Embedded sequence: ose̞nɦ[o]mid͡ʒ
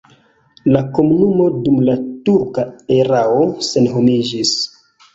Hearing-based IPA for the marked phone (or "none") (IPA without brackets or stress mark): o